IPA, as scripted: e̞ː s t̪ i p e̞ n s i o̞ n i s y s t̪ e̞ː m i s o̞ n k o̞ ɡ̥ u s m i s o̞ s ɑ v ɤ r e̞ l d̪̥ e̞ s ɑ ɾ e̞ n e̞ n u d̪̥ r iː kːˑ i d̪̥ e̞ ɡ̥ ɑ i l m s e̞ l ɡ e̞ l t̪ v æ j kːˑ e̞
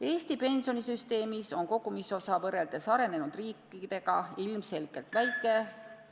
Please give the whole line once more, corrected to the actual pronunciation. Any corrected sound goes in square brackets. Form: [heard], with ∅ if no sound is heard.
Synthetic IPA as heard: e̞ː s t̪ i p e̞ n s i o̞ n i s y s t̪ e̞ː m i s o̞ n k o̞ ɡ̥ u [∅] m i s o̞ s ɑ v ɤ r e̞ l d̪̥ e̞ s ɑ ɾ e̞ n e̞ n u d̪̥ r iː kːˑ i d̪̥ e̞ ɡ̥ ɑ i l m s e̞ l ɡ e̞ l t̪ v æ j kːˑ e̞